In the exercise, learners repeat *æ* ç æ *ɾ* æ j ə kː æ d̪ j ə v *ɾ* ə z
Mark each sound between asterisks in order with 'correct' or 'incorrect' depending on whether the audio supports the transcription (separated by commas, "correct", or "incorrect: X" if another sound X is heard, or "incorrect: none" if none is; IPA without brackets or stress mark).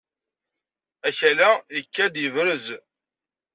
correct, incorrect: l, correct